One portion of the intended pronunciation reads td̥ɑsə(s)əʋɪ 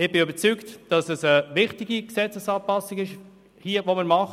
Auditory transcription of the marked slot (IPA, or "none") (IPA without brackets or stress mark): s